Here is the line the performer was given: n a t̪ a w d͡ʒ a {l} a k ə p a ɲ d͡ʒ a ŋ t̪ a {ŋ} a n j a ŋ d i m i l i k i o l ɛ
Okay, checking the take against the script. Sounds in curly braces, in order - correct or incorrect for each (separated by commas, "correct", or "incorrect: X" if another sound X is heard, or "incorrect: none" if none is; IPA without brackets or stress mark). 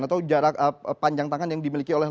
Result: incorrect: ɾ, correct